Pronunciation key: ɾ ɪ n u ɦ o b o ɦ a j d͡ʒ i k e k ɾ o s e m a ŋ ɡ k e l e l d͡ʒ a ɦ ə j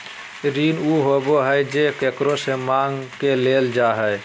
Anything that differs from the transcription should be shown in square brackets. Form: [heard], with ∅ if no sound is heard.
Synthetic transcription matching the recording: ɾ [i] n u ɦ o b o ɦ [ə] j d͡ʒ [e] k e k ɾ o s e m a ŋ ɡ k e l e l d͡ʒ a ɦ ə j